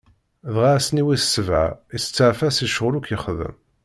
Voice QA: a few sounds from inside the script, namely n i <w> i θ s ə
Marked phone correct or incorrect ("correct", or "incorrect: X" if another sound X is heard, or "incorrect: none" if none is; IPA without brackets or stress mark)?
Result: correct